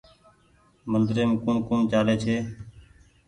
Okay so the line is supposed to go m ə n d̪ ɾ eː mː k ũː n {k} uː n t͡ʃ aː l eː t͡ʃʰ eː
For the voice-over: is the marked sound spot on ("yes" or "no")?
yes